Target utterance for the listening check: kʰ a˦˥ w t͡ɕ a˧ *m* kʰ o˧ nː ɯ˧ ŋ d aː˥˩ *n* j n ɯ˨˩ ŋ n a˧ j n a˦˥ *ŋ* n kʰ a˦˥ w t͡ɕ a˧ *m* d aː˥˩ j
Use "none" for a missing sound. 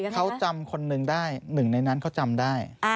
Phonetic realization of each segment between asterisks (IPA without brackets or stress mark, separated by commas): m, none, none, m